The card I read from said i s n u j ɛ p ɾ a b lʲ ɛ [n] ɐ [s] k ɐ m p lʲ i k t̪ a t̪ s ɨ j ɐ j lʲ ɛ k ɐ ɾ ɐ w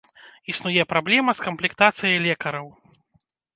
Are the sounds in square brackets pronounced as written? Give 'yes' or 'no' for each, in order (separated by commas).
no, yes